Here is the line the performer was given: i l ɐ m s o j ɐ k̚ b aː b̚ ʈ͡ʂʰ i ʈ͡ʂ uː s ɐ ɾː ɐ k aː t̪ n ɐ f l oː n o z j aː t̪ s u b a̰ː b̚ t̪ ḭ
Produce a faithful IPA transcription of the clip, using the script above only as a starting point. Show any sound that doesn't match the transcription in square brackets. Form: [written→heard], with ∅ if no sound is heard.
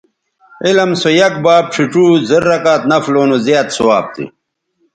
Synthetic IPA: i l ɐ m s o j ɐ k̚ b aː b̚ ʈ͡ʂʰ i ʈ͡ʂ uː [s→z] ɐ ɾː ɐ k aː t̪ n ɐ f l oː n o z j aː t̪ s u [b→w] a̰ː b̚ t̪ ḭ